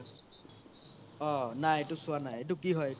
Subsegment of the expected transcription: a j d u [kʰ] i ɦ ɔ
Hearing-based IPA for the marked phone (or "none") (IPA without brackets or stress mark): k